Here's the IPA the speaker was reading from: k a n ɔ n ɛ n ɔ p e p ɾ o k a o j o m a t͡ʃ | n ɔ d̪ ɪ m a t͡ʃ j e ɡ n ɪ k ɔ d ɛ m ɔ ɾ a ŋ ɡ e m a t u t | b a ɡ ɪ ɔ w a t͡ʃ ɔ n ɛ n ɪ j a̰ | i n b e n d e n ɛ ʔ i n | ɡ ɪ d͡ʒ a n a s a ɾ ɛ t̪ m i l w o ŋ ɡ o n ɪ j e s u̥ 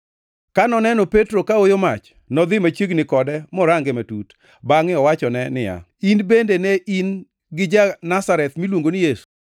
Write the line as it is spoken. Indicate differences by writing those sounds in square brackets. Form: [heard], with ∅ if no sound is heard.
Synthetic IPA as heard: k a n ɔ n ɛ n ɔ p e [t] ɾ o k a o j o m a t͡ʃ | n ɔ d̪ ɪ m a t͡ʃ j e ɡ n ɪ k ɔ d ɛ m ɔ ɾ a ŋ ɡ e m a t u t | b a [ŋ] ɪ ɔ w a t͡ʃ ɔ n ɛ n ɪ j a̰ | i n b e n d e n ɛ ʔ i n | ɡ ɪ d͡ʒ a n a s a ɾ ɛ t̪ m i l w o ŋ ɡ o n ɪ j e s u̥